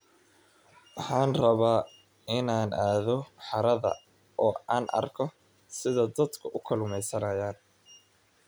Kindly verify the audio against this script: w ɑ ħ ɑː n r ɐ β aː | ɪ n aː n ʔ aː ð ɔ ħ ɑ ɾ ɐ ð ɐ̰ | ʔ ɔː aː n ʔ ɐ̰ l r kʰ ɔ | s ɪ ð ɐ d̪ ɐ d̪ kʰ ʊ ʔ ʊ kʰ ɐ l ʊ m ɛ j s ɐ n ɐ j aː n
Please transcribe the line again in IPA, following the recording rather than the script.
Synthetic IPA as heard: w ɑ ħ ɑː n r ɐ β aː | ɪ n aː n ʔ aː ð ɔ ħ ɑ ɾ ɐ ð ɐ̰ | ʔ ɔː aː n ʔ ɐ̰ r kʰ ɔ | s ɪ ð ɐ d̪ ɐ d̪ kʰ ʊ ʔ ʊ kʰ ɐ l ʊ m ɛ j s ɐ n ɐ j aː n